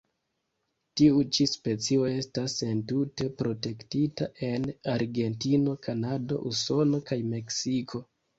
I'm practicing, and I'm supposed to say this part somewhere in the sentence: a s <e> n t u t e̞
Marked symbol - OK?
yes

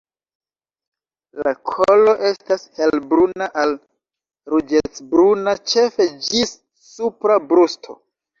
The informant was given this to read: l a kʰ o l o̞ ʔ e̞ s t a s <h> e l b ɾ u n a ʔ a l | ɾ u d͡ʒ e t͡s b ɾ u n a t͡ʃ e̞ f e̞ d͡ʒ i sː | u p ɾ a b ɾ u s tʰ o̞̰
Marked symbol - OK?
yes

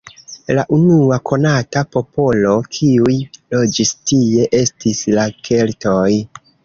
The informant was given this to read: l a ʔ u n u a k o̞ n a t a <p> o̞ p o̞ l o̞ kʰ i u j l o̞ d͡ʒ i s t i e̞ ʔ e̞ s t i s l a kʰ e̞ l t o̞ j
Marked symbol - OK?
yes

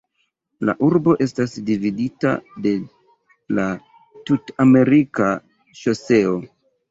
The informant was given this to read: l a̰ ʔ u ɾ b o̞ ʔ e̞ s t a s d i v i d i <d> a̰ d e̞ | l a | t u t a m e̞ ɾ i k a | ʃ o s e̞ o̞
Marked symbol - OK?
no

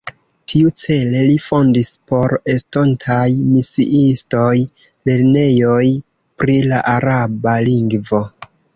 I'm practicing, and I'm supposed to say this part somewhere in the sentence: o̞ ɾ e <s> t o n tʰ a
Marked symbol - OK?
yes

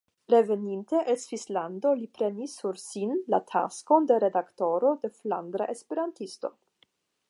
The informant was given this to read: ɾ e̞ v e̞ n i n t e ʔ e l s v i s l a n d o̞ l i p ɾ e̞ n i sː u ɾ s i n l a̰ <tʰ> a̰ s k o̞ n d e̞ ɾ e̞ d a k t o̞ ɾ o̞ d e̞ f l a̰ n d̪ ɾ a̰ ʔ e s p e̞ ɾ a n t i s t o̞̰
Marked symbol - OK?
yes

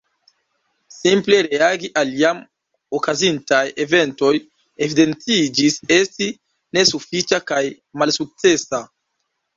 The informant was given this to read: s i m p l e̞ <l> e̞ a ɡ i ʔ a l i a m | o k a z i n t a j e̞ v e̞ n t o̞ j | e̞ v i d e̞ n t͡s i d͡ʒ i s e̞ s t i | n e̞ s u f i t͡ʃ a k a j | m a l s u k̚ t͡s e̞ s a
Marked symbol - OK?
no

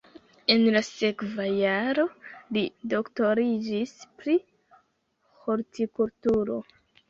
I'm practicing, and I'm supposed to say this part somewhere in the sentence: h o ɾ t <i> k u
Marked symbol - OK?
yes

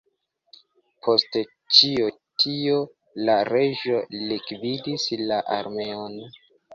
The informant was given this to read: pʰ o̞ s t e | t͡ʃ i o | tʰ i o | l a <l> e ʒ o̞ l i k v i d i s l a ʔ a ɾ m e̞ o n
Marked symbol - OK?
no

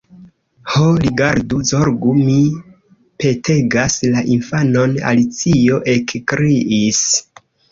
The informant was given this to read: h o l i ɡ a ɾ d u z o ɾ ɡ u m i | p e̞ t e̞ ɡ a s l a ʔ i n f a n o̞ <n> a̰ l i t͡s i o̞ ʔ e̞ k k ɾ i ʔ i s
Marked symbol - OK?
yes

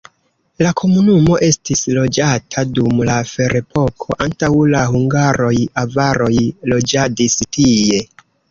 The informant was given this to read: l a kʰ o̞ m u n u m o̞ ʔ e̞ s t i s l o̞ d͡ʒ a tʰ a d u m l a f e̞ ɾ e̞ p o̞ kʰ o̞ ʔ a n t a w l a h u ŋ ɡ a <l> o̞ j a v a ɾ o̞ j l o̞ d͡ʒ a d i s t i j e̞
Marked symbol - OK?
no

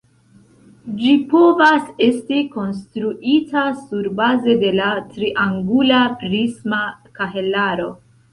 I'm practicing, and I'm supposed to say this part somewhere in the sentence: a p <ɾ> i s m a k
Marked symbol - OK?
yes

